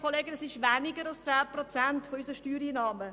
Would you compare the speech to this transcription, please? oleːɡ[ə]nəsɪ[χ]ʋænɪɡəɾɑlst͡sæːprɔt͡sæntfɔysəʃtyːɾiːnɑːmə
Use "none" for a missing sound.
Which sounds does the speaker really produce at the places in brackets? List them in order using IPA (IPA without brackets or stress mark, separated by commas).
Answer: ə, ʃ